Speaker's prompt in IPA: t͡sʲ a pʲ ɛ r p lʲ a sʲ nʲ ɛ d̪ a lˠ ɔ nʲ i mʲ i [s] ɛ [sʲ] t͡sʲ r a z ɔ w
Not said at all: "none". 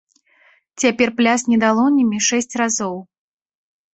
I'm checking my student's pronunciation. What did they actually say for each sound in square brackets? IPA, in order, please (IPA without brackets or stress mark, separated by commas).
ʂ, sʲ